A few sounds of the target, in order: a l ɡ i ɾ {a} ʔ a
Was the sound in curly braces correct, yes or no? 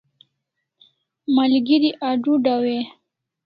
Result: no